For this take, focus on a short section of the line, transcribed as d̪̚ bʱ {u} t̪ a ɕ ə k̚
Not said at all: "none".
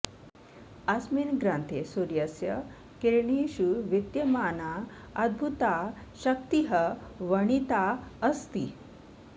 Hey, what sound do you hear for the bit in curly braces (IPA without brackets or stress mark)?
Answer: u